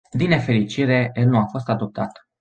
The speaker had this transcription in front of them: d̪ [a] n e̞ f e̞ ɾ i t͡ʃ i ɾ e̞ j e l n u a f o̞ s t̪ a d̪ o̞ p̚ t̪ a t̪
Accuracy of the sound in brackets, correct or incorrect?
incorrect